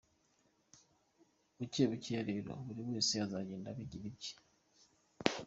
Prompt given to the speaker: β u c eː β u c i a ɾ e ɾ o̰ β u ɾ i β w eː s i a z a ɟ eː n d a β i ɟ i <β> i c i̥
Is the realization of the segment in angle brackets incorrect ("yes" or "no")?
no